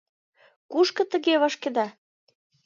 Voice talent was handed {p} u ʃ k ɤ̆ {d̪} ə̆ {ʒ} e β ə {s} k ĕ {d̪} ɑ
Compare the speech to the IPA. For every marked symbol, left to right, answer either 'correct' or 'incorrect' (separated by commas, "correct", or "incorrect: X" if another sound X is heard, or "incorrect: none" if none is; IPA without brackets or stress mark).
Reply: incorrect: k, incorrect: t̪, incorrect: ɣ, incorrect: ʃ, correct